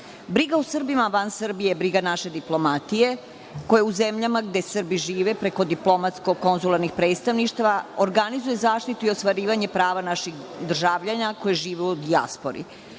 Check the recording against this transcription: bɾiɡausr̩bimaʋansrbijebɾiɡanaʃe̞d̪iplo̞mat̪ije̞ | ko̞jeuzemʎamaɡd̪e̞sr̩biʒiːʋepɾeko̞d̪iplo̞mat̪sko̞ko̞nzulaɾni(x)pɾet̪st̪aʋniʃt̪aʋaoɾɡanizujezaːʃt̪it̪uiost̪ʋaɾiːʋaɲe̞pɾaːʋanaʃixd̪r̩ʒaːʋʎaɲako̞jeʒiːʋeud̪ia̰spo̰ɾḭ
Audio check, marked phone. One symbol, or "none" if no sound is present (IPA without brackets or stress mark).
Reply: x